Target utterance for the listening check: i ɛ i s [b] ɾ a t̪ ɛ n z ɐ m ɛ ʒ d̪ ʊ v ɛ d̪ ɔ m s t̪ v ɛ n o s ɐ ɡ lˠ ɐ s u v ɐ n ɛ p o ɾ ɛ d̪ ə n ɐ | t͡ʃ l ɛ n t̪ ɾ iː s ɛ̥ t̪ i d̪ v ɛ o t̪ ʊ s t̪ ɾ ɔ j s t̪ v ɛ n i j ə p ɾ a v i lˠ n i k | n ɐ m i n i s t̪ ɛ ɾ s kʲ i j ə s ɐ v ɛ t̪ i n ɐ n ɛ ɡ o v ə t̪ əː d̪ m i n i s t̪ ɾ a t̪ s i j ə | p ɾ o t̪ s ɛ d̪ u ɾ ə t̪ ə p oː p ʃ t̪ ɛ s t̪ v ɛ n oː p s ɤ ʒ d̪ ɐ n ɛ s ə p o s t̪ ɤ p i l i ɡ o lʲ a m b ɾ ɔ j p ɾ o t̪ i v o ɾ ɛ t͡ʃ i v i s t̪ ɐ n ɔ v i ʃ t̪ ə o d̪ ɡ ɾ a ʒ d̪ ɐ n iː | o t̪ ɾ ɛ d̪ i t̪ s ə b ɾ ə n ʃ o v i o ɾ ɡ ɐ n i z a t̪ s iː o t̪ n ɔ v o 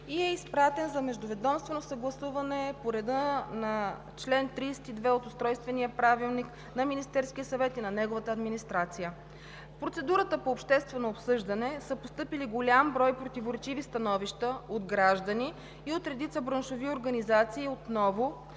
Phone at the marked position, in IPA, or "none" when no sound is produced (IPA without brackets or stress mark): p